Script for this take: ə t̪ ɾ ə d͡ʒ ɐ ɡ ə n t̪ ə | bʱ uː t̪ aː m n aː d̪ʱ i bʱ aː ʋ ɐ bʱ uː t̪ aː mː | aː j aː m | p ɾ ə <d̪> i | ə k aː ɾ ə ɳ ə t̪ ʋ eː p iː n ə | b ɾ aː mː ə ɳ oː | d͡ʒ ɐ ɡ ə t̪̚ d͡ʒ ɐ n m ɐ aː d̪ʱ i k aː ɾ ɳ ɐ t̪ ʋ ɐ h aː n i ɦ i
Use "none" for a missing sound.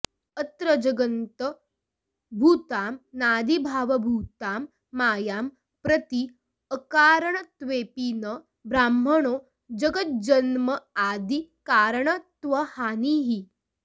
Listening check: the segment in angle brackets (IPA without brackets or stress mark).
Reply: t̪